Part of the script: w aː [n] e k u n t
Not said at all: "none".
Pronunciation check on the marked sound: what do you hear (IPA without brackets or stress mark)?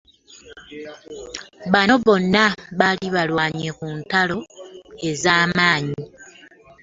ɲ